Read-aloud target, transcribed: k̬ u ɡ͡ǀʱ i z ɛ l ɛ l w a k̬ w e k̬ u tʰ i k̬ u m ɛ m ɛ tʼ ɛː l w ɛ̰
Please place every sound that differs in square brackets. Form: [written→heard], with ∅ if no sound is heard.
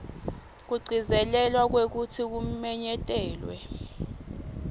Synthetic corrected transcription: k̬ u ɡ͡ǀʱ i z ɛ l ɛ l w a k̬ w e k̬ u tʰ i k̬ u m ɛ [m→ɲ] ɛ tʼ ɛː l w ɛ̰